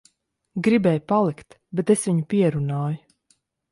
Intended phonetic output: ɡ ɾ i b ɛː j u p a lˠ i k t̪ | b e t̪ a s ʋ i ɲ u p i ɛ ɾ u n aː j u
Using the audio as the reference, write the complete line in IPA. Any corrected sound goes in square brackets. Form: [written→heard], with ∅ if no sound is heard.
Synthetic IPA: ɡ ɾ i b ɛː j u p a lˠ i k t̪ | b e t̪ [a→e] s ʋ i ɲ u p i ɛ ɾ u n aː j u